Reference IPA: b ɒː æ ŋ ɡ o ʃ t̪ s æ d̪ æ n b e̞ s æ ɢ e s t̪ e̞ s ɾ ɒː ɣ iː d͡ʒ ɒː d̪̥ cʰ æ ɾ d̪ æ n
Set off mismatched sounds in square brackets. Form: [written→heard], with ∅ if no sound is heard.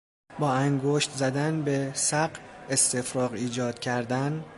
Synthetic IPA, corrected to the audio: b ɒː æ ŋ ɡ o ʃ t̪ [s→z] æ d̪ æ n b e̞ s æ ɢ e s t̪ e̞ [s→f] ɾ ɒː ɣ iː d͡ʒ ɒː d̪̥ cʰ æ ɾ d̪ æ n